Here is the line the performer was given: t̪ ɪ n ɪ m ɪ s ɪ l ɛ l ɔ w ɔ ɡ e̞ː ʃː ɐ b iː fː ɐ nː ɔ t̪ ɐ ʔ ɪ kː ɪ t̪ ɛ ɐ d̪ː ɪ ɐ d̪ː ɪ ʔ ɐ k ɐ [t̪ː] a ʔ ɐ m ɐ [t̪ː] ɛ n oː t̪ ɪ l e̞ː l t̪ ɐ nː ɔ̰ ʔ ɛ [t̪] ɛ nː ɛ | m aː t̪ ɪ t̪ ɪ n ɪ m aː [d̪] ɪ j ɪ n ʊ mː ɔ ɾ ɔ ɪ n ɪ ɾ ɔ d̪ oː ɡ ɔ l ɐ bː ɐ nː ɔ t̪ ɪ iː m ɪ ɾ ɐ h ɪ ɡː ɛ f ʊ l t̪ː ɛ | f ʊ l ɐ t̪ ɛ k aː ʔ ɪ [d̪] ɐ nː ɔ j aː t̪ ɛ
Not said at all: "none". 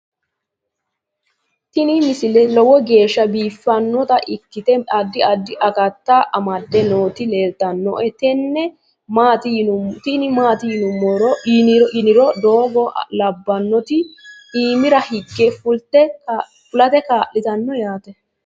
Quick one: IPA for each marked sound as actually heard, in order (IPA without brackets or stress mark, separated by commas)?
t̪ː, d̪ː, t̪, t̪, t̪